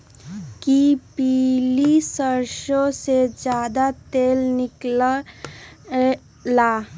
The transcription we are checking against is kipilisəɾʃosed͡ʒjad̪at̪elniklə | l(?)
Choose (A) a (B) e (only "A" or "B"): A